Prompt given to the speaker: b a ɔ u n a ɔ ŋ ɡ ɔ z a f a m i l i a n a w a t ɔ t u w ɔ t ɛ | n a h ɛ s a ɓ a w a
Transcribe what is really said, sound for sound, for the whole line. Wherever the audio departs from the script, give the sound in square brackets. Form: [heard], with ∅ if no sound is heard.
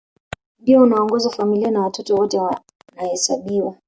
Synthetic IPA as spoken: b [i] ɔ u n a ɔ ŋ ɡ ɔ z a f a m i l i a n a w a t ɔ t [ɔ] w ɔ t ɛ | n a h ɛ s a ɓ [i] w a